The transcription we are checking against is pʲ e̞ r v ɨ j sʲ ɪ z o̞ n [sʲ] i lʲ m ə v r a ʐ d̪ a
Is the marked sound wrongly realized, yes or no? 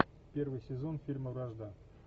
yes